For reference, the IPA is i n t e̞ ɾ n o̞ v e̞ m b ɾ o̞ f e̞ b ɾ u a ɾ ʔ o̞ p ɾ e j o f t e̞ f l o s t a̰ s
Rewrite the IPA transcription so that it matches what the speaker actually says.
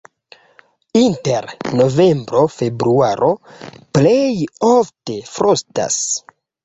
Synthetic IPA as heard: i n t e̞ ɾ n o̞ v e̞ m b ɾ o̞ f e̞ b ɾ u a ɾ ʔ o̞ p l e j o f t e̞ f ɾ o s t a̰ s